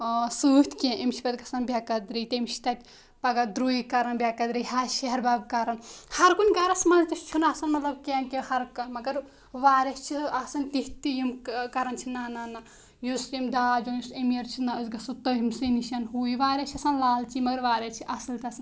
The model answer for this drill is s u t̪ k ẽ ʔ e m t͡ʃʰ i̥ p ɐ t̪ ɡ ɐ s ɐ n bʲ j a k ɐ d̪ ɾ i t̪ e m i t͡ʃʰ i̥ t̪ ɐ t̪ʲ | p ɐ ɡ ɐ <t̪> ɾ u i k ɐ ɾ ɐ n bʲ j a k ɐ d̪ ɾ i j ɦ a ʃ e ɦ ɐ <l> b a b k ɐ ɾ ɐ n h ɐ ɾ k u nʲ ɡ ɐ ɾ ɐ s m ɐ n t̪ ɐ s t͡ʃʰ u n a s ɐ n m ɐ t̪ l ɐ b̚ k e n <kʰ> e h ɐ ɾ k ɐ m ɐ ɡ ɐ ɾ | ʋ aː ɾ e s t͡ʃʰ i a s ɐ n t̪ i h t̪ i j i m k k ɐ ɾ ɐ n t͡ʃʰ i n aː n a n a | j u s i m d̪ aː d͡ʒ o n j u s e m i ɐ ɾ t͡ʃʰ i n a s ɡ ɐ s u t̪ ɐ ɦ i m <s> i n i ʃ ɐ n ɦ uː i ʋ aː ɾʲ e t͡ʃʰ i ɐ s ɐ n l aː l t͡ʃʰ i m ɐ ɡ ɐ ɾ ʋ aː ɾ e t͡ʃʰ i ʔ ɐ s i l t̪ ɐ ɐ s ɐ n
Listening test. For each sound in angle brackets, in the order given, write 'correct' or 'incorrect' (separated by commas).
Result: incorrect, incorrect, incorrect, correct